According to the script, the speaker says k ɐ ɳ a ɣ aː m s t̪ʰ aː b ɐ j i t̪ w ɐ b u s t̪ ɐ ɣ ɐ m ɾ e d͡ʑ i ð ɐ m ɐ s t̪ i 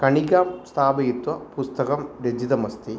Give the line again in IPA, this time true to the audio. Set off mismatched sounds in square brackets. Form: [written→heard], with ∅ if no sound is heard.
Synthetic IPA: k ɐ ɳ [a→i] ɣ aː m s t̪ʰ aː b ɐ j i t̪ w ɐ [b→p] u s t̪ ɐ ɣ ɐ m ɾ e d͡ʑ i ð ɐ m ɐ s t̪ i

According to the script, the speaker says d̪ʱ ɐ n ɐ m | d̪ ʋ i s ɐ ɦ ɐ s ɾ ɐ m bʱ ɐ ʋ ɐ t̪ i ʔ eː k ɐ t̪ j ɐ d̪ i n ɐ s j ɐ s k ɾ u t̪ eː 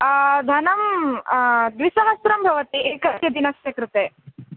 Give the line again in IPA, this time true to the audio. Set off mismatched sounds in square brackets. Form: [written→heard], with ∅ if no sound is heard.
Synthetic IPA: d̪ʱ ɐ n ɐ m | d̪ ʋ i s ɐ ɦ ɐ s ɾ ɐ m bʱ ɐ ʋ ɐ t̪ i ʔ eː k ɐ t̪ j ɐ d̪ i n ɐ s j ɐ [s→∅] k ɾ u t̪ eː

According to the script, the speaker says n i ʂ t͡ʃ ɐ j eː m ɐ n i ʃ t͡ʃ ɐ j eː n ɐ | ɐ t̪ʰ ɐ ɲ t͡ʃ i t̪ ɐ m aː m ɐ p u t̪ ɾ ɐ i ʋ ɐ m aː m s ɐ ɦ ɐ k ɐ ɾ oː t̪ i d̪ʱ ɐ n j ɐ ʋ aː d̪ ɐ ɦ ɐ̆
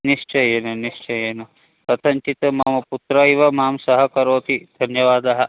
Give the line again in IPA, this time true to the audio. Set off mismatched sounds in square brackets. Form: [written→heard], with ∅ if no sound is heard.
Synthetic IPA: n i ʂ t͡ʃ ɐ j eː [m→n] ɐ n i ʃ t͡ʃ ɐ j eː n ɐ | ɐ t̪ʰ ɐ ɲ t͡ʃ i t̪ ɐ m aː m ɐ p u t̪ ɾ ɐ i ʋ ɐ m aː m s ɐ ɦ ɐ k ɐ ɾ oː t̪ i d̪ʱ ɐ n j ɐ ʋ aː d̪ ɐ ɦ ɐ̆

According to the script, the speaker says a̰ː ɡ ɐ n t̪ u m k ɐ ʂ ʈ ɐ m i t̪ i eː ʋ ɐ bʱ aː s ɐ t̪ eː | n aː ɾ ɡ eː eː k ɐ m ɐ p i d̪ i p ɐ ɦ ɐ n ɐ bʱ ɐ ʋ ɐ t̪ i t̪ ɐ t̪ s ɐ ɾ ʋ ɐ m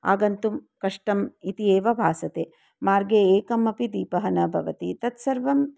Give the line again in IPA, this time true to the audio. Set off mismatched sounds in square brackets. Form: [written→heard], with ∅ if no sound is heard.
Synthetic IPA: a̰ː ɡ ɐ n t̪ u m k ɐ ʂ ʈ ɐ m i t̪ i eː ʋ ɐ bʱ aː s ɐ t̪ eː | [n→m] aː ɾ ɡ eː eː k ɐ m ɐ p i d̪ [i→iː] p ɐ ɦ ɐ n ɐ bʱ ɐ ʋ ɐ t̪ i t̪ ɐ t̪ s ɐ ɾ ʋ ɐ m

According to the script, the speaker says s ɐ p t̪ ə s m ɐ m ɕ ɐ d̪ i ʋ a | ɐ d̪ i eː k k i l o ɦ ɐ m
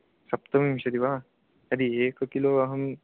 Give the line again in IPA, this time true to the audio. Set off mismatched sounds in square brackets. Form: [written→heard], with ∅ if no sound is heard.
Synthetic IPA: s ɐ p t̪ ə [s→∅] m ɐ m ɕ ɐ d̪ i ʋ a | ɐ d̪ i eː k k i l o ɦ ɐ m

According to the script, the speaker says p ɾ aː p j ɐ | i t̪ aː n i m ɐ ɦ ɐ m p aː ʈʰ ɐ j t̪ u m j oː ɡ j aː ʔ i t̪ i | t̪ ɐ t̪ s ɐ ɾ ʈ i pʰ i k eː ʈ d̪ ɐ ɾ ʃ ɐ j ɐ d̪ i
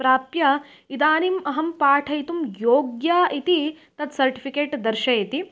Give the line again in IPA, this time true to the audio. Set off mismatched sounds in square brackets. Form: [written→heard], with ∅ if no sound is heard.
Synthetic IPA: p ɾ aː p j ɐ | i [t̪→d̪] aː n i m ɐ ɦ ɐ m p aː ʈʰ ɐ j t̪ u m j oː ɡ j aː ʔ i t̪ i | t̪ ɐ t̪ s ɐ ɾ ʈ i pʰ i k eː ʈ d̪ ɐ ɾ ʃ ɐ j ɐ [d̪→t̪] i

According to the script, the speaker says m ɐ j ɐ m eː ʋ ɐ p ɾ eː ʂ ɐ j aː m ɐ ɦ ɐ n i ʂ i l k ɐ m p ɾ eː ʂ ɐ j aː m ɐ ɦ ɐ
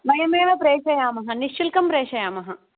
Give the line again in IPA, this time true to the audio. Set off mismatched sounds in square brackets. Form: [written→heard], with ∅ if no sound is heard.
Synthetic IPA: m ɐ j ɐ m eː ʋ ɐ p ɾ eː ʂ ɐ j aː m ɐ ɦ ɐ n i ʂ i l k ɐ m p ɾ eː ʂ ɐ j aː m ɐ ɦ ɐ

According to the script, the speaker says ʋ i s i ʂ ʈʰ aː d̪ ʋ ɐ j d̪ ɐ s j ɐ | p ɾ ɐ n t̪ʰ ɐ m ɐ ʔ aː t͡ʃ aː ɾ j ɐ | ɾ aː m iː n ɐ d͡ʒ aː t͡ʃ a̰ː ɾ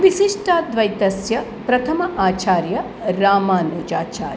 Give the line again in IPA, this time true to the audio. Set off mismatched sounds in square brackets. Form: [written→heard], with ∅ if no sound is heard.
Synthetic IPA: ʋ i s i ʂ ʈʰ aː d̪ ʋ ɐ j [d̪→t̪] ɐ s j ɐ | p ɾ ɐ [n→∅] t̪ʰ ɐ m ɐ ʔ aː t͡ʃ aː ɾ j ɐ | ɾ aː m [iː→aː] n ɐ d͡ʒ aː t͡ʃ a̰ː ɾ

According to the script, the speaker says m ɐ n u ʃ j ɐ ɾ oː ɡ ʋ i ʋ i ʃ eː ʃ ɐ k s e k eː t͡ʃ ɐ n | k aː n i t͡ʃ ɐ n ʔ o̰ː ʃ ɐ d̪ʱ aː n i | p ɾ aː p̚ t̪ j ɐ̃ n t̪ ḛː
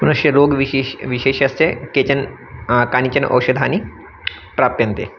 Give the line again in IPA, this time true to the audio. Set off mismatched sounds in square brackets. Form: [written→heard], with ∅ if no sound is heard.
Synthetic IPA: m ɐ n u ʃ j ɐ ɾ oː ɡ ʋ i ʋ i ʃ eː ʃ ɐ [k→∅] s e k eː t͡ʃ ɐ n | k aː n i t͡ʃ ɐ n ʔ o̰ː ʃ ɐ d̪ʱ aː n i | p ɾ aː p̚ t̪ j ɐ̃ n t̪ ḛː

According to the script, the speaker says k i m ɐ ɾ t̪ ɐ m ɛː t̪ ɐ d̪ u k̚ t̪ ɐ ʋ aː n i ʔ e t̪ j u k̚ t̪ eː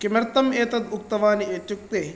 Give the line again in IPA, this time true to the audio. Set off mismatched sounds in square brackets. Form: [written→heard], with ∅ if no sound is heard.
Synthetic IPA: k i m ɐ ɾ t̪ ɐ m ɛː t̪ ɐ d̪ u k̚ t̪ ɐ ʋ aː n i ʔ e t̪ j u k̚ t̪ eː

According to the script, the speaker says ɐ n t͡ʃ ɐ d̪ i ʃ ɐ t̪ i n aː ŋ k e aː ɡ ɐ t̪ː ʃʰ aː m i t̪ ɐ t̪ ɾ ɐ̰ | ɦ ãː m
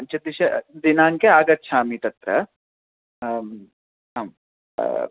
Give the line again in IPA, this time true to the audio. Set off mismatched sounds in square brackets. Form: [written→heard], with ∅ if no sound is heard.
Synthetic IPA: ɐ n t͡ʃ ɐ d̪ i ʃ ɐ [t̪→d̪] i n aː ŋ k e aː ɡ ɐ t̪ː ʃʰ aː m i t̪ ɐ t̪ ɾ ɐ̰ | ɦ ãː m

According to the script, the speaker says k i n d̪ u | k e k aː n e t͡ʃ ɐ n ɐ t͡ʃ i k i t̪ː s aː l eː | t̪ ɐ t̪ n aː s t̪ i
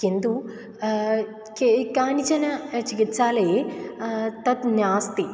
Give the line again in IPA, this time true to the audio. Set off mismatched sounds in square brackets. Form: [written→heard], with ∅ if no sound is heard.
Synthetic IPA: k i n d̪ u | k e k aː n [e→i] t͡ʃ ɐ n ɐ t͡ʃ i k i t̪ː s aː l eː | t̪ ɐ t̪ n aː s t̪ i

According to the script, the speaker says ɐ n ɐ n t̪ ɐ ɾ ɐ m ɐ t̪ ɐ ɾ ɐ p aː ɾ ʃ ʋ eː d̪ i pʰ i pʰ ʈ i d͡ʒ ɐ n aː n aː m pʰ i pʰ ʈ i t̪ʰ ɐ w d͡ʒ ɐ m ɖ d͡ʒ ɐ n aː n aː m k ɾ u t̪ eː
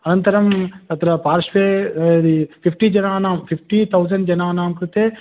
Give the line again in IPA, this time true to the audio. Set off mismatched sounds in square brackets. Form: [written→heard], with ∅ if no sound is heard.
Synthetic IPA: ɐ n ɐ n t̪ ɐ ɾ ɐ m ɐ t̪ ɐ ɾ ɐ p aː ɾ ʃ ʋ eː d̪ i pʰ i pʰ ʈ i d͡ʒ ɐ n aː n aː m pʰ i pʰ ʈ i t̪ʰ ɐ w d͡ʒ ɐ [m→ɳ] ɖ d͡ʒ ɐ n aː n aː m k ɾ u t̪ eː

